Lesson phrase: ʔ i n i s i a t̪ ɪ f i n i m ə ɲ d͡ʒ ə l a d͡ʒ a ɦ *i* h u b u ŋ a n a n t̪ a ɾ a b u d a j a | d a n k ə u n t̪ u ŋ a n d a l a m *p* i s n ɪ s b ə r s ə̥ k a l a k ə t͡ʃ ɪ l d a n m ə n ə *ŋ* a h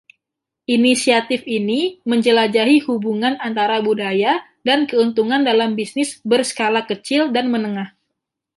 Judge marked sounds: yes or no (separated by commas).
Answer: yes, no, yes